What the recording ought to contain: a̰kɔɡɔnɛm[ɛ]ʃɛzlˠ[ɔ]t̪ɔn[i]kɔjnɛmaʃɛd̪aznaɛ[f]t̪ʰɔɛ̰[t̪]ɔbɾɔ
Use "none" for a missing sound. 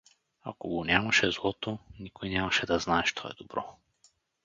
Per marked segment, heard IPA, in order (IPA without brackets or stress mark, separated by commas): a, ɔ, i, ʃ, d̪